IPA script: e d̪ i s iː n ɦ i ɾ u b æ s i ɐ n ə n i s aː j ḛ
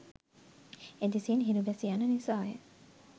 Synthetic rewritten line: e d̪ i s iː n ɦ i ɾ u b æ s i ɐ n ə n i s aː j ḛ